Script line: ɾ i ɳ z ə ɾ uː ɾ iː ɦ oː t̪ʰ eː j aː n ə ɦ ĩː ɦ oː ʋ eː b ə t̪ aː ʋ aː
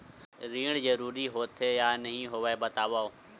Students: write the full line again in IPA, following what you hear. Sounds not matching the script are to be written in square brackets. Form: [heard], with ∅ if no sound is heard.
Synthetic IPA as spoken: ɾ [iː] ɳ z ə ɾ uː ɾ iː ɦ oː t̪ʰ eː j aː n ə ɦ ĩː ɦ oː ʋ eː b ə t̪ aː ʋ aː